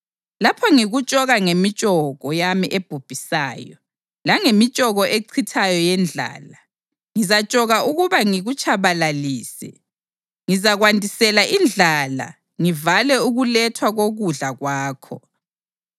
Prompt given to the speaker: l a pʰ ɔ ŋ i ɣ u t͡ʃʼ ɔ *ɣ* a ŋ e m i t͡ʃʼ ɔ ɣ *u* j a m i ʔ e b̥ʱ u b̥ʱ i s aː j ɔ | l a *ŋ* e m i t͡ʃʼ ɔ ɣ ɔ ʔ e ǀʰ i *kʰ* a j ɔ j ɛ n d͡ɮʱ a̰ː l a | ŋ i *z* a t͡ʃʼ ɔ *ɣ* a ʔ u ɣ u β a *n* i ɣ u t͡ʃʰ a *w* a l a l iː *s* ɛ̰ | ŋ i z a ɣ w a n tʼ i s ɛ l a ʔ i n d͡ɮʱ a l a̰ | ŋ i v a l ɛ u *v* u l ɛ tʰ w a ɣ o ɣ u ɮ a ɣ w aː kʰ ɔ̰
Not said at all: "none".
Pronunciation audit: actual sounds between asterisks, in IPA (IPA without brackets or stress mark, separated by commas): ɣ, ɔ, ŋ, tʰ, z, ɣ, ŋ, β, s, ɣ